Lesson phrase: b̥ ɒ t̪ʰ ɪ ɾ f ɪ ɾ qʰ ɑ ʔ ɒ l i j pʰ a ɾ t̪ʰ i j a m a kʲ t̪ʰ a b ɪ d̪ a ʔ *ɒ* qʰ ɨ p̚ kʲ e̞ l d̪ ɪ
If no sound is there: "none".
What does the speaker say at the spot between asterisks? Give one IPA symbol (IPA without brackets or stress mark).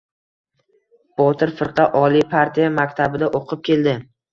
o